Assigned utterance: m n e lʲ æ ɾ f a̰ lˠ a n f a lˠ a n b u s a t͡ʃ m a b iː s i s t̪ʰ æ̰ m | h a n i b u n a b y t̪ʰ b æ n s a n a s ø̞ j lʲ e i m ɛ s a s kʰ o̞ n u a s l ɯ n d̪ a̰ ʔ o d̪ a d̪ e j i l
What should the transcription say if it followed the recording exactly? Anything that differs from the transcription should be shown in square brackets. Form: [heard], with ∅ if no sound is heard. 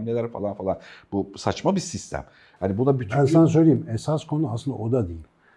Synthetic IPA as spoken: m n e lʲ æ ɾ f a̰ lˠ a n f a lˠ a n b u s a t͡ʃ m a b [i] s i s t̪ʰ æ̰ m | h a n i b u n a b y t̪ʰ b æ n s a n a s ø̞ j lʲ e i m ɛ s a s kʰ o̞ n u a s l ɯ n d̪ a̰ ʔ o d̪ a d̪ e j i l